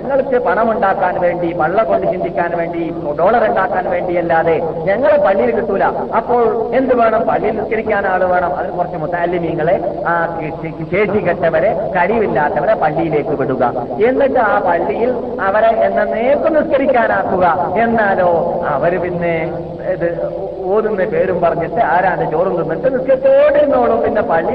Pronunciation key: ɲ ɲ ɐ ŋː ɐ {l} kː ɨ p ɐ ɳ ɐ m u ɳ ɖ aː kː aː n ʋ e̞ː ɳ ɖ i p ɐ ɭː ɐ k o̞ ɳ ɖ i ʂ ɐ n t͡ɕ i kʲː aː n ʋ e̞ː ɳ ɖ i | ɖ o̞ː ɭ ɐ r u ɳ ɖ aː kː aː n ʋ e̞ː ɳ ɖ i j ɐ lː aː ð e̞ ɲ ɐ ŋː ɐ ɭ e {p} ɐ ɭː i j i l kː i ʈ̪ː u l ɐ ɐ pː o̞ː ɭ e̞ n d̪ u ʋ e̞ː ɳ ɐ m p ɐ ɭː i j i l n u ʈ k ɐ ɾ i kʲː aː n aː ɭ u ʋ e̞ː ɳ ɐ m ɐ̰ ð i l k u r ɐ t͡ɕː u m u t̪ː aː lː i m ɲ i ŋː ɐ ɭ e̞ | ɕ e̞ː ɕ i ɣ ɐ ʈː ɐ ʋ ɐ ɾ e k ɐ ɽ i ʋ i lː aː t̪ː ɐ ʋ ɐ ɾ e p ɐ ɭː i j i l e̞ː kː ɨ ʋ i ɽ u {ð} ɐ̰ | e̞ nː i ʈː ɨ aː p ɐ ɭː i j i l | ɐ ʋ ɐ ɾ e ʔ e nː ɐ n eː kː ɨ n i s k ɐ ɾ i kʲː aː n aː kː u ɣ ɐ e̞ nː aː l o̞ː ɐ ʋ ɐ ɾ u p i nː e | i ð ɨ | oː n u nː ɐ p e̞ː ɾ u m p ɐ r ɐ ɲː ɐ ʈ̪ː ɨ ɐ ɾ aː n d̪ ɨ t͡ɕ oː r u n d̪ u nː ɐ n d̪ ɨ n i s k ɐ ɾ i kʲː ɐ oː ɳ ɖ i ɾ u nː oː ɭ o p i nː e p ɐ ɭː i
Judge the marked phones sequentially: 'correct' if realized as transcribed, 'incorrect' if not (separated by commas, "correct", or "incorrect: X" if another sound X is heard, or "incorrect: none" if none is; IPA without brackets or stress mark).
incorrect: ɭ, correct, incorrect: ɣ